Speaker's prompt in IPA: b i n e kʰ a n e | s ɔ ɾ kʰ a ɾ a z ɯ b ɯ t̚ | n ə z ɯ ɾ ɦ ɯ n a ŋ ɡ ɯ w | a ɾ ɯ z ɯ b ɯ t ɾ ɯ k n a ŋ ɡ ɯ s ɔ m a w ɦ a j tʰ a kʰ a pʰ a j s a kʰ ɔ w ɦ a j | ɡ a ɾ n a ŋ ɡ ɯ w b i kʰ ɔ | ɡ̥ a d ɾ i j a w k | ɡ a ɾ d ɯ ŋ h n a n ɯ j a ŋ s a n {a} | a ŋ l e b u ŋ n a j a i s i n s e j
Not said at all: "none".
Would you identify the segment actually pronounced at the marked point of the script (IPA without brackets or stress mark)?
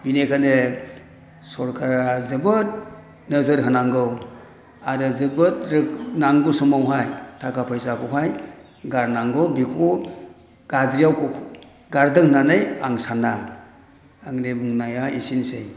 a